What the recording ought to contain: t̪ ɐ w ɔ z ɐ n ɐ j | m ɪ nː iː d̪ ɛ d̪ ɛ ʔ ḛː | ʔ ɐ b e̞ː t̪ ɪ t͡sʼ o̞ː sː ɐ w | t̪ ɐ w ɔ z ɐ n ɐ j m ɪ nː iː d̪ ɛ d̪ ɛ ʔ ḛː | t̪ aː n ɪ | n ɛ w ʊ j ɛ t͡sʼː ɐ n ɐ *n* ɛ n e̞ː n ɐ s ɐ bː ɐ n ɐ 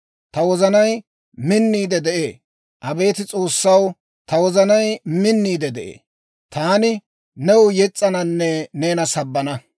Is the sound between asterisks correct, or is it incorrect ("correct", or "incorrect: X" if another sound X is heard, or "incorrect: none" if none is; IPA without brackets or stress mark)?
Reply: incorrect: nː